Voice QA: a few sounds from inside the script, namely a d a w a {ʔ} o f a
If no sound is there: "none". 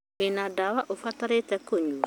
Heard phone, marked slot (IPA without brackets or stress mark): ʔ